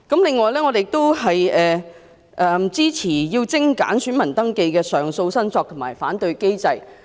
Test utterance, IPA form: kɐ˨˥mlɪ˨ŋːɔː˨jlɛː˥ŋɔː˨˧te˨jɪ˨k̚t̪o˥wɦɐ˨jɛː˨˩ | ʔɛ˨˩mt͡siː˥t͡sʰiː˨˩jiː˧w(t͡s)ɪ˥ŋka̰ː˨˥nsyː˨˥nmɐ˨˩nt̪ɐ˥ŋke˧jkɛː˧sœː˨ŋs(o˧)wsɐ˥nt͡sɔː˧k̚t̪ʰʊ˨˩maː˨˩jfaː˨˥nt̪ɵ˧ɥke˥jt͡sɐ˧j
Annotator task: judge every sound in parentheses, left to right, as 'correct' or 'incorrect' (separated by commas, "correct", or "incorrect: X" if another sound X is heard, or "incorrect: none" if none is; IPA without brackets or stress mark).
correct, correct